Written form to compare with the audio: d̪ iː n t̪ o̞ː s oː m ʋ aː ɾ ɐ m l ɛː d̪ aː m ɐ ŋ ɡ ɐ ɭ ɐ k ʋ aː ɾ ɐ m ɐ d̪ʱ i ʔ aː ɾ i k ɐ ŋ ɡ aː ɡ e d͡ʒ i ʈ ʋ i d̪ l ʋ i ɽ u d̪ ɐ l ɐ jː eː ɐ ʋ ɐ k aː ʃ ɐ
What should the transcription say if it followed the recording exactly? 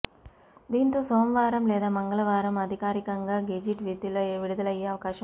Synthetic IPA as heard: d̪ iː n t̪ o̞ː s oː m ʋ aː ɾ ɐ m l ɛː d̪ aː m ɐ ŋ ɡ ɐ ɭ ɐ ʋ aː ɾ ɐ m ɐ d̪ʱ i k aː ɾ i k ɐ ŋ ɡ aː ɡ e d͡ʒ i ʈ ʋ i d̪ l ʋ i ɽ u d̪ ɐ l ɐ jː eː ɐ ʋ ɐ k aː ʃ ɐ